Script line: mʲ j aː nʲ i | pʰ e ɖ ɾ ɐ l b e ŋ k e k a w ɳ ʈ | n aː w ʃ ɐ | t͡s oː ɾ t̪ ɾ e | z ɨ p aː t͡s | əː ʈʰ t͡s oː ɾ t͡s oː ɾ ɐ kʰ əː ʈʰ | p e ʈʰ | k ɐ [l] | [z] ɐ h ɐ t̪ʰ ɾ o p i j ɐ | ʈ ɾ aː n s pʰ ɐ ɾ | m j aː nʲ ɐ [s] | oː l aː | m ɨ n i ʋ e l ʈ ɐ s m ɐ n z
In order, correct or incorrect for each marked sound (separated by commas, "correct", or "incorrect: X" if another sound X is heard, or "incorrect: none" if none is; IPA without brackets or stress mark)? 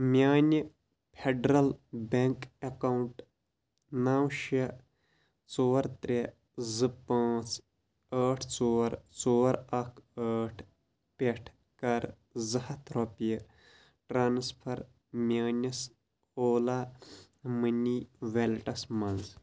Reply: incorrect: ɾ, correct, correct